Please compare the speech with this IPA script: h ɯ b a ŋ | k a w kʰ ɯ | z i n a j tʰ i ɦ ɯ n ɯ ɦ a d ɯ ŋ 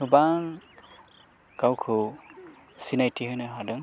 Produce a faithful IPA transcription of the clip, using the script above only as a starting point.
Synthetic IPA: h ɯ b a ŋ | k a w kʰ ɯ | s i n a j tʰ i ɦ ɯ n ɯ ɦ a d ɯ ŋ